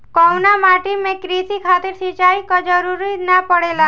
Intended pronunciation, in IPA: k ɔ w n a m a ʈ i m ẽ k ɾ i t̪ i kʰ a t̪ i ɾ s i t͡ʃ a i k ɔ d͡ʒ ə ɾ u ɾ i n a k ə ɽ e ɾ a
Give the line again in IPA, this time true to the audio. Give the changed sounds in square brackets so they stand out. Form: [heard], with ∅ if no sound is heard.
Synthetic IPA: k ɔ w n a m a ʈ i m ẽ k ɾ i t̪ i kʰ a t̪ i ɾ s i t͡ʃ a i k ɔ d͡ʒ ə ɾ u ɾ i n a [p] ə ɽ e [l] a